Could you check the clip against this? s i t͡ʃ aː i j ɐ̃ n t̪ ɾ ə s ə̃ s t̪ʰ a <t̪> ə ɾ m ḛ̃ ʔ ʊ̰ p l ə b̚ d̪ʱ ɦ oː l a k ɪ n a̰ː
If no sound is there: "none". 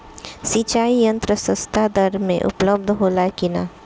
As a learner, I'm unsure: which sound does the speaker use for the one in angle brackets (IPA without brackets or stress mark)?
d̪